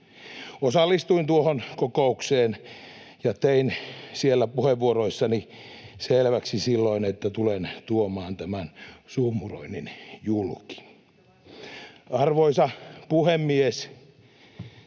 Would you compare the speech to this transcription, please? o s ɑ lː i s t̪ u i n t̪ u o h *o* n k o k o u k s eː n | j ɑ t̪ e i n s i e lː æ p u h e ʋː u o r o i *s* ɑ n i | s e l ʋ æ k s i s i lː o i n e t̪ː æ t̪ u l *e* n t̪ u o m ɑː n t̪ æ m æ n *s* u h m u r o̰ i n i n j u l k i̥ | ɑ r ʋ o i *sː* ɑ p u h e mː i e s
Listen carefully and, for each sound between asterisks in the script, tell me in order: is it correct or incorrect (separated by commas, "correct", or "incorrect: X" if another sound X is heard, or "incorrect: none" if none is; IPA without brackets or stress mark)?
correct, incorrect: sː, correct, correct, incorrect: s